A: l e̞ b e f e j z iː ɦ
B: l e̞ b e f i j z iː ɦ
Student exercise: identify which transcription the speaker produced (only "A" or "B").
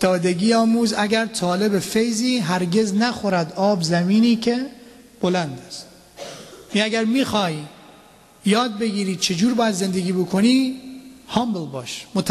A